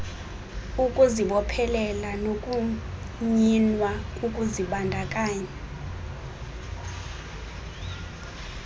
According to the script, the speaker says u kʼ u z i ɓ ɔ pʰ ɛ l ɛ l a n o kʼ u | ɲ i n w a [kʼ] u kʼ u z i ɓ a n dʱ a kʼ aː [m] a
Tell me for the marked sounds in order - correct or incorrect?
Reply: incorrect, incorrect

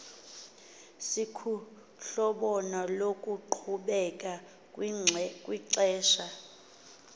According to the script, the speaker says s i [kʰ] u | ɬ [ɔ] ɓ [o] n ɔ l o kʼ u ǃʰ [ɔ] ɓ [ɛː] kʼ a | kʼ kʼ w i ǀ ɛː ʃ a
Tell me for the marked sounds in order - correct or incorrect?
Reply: correct, correct, incorrect, incorrect, incorrect

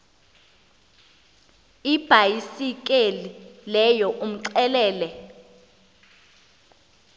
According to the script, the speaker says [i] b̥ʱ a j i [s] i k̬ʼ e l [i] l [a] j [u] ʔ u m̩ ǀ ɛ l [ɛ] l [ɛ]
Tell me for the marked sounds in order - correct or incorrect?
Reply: correct, correct, correct, incorrect, incorrect, incorrect, correct

